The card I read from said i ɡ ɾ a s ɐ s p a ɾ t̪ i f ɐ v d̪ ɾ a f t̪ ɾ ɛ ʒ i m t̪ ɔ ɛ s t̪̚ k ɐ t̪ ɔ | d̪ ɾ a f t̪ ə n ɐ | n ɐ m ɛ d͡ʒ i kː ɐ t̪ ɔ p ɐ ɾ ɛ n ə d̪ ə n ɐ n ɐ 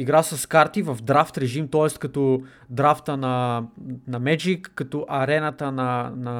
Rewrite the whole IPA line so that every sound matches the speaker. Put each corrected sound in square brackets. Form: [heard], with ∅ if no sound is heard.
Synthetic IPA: i ɡ ɾ a s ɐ s [k] a ɾ t̪ i [v] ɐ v d̪ ɾ a f t̪ ɾ ɛ ʒ i m t̪ ɔ ɛ s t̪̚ k ɐ t̪ ɔ | d̪ ɾ a f t̪ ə n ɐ | n ɐ m ɛ d͡ʒ i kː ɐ t̪ ɔ [ʔ] ɐ ɾ ɛ n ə [t̪] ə n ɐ n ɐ